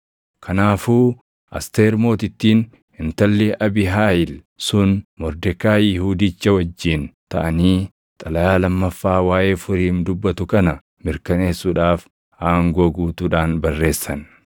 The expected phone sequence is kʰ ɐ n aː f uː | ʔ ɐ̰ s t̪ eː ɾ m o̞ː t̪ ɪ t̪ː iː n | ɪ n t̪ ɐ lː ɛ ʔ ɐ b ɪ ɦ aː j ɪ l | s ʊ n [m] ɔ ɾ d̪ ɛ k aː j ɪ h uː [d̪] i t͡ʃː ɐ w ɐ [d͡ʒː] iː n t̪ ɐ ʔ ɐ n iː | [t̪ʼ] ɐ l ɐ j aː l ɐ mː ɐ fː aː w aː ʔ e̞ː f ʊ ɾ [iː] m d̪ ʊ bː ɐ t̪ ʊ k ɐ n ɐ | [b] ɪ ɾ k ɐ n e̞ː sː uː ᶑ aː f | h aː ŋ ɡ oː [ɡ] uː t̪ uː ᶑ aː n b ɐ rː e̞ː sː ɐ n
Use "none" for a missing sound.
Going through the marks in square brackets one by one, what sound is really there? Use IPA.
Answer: m, d̪, d͡ʒː, t̪ʼ, iː, m, ɡ

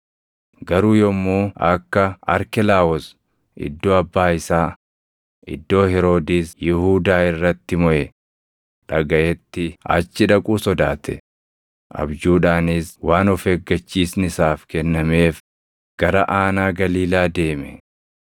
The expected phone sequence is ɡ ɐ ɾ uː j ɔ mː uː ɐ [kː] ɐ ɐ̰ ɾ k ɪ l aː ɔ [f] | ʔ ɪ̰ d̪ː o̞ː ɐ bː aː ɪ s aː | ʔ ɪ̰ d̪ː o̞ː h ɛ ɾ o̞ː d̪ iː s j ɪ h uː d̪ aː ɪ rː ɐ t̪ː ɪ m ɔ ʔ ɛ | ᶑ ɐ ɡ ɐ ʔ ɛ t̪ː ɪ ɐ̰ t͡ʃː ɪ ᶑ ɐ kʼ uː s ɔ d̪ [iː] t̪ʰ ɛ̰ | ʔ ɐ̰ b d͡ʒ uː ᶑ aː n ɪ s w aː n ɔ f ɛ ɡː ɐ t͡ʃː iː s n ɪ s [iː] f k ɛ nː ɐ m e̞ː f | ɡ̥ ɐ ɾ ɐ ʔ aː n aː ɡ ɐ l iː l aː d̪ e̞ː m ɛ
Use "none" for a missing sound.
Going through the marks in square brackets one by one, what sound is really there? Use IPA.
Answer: kː, s, aː, aː

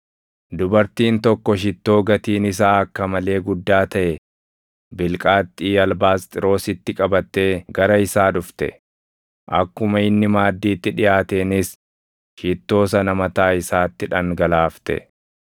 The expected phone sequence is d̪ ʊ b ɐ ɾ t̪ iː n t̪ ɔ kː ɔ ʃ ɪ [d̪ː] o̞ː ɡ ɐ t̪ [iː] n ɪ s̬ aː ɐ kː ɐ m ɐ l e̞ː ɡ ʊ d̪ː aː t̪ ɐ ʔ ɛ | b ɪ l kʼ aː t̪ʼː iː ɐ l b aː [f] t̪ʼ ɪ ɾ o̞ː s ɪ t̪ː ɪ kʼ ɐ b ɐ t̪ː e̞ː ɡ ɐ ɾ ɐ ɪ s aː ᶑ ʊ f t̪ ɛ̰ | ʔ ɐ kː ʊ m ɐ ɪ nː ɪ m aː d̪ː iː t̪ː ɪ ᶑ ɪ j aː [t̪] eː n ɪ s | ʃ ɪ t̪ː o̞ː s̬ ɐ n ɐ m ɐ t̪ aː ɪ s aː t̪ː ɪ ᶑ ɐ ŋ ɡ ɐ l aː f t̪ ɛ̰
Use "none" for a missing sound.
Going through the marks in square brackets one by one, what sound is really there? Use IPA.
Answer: t̪ː, iː, s, t̪

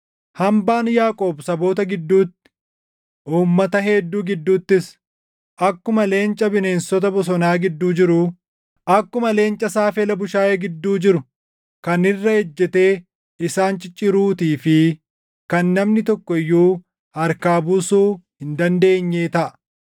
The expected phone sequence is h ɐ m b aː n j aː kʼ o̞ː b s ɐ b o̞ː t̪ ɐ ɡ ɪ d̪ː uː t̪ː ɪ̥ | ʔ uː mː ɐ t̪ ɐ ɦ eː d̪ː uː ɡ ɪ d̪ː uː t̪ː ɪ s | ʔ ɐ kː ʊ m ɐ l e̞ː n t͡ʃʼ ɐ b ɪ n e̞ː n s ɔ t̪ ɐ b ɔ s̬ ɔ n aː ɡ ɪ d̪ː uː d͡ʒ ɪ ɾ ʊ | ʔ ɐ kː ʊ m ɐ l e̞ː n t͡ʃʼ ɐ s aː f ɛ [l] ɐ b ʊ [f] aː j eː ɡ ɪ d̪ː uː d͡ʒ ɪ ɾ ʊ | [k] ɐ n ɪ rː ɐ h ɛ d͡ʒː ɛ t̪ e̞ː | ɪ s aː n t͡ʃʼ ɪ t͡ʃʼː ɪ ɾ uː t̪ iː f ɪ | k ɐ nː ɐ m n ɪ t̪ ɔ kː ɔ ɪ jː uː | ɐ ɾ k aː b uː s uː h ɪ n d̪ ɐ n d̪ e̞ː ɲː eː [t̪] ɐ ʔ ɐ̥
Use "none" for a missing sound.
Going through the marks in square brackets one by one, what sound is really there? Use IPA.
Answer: l, ʃ, k, t̪

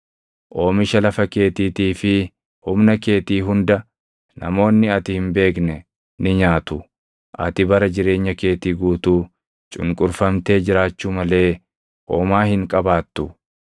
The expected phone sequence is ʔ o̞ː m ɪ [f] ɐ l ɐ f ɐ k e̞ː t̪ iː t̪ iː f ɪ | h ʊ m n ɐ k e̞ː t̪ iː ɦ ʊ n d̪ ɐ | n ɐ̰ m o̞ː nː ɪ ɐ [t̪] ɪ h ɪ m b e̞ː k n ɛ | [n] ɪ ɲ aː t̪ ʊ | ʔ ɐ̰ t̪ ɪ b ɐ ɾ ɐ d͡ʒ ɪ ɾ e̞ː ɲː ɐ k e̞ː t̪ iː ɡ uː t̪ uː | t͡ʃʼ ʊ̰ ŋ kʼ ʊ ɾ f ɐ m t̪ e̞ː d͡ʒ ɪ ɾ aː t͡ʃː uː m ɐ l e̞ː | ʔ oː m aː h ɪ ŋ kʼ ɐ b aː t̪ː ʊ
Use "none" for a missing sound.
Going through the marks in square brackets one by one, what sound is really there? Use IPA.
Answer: ʃ, t̪, n

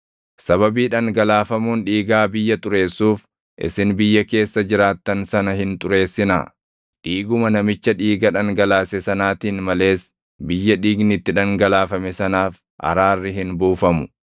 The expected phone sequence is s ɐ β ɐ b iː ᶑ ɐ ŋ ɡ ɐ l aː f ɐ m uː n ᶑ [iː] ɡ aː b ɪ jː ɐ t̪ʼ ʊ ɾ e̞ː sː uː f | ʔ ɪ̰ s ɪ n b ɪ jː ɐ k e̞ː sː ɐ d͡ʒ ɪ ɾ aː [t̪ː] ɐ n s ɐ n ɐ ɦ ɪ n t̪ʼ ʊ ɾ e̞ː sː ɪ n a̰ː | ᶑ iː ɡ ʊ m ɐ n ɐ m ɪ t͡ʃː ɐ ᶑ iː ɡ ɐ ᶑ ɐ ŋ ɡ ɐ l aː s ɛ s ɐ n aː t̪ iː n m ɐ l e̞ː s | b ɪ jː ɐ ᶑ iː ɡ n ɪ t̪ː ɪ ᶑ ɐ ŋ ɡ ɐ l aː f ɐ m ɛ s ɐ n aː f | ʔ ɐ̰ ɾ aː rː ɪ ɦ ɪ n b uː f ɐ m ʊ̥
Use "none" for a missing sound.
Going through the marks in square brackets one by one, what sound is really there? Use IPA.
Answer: iː, t̪ː

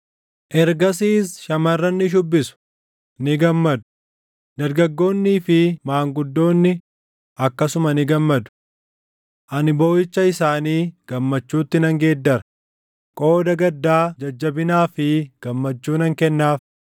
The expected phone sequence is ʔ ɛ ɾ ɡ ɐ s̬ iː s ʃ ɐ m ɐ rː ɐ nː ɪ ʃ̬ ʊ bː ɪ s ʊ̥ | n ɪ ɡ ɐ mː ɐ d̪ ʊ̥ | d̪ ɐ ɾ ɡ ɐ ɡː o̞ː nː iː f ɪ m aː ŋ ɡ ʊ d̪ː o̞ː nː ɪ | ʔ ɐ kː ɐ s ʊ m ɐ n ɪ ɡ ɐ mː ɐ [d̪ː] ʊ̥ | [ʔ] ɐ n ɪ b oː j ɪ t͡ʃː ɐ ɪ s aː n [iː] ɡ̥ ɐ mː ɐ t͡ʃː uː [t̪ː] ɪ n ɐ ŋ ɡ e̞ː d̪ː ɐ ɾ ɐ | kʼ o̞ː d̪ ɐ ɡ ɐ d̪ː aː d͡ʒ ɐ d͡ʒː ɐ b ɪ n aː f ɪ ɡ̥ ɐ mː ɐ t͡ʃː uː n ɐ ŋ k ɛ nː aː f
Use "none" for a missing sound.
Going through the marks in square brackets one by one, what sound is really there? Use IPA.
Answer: d̪, ʔ, iː, t̪ː

